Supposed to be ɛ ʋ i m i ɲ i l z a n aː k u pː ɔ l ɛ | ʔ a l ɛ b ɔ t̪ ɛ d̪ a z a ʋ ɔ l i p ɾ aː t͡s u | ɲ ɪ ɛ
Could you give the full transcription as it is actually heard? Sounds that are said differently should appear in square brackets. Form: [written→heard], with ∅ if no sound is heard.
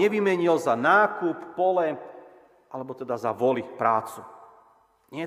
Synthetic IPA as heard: ɛ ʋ i m [i→ɛ] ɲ i l z a n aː k u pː ɔ l ɛ | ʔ a l ɛ b ɔ t̪ ɛ d̪ a z a ʋ ɔ l i p ɾ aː t͡s u | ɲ ɪ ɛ